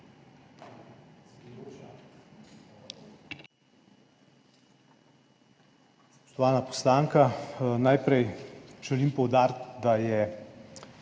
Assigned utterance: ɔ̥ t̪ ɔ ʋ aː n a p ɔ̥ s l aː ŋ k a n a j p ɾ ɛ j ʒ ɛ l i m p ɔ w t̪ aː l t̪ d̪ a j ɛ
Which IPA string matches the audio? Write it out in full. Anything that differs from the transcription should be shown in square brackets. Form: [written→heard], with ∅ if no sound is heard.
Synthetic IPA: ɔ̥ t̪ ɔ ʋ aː n a p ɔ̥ s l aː ŋ k a n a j p ɾ ɛ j ʒ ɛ l i m p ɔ w [t̪→d̪] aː [l→ɾ] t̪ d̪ a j ɛ